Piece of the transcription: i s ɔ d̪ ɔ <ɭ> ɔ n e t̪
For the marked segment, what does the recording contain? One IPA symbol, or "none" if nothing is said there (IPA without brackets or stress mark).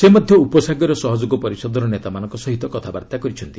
ɾ